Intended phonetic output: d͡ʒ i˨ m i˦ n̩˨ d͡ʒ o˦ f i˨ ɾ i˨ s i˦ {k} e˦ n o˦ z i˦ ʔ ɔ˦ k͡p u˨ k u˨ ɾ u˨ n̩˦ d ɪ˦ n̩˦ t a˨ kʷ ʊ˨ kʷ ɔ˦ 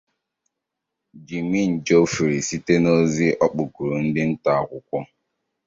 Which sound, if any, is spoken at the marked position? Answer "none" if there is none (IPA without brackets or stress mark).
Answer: t